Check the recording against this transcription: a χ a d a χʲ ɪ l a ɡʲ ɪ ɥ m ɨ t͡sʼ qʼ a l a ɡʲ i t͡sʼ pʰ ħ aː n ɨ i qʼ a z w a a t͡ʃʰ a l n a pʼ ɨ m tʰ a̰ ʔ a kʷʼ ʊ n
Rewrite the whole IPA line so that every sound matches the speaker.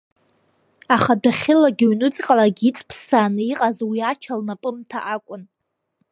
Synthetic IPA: a χ a d a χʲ ɪ l a ɡʲ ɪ ɥ n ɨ t͡sʼ qʼ a l a ɡʲ i t͡sʼ pʰ s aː n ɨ i qʼ a z w i a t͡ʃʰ a l n a pʼ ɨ m tʰ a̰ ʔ a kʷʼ ʊ n